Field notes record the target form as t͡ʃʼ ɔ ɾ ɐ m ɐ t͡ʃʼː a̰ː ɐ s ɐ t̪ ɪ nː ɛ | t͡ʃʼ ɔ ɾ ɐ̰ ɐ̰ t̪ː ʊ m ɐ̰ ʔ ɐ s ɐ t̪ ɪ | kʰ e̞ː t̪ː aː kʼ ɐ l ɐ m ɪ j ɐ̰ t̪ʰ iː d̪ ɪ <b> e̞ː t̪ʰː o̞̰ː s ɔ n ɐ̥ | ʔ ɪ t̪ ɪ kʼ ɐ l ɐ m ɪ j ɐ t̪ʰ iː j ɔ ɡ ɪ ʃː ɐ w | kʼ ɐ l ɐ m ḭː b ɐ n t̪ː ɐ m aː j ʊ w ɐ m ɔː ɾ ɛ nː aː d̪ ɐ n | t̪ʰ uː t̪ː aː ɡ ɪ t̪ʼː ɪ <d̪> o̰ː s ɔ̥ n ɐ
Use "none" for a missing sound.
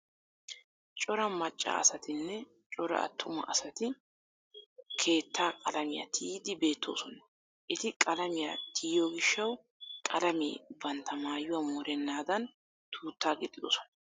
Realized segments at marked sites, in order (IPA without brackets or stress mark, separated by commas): b, d̪